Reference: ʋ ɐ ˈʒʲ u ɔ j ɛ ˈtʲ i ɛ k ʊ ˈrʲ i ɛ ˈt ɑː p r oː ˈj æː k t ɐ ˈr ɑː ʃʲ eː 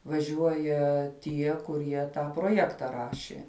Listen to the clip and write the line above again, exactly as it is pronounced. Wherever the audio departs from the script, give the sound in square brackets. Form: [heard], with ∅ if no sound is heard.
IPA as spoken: ʋ ɐ ˈʒʲ u ɔ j ɛ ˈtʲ i ɛ k ʊ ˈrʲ i ɛ ˈt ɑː p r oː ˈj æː k t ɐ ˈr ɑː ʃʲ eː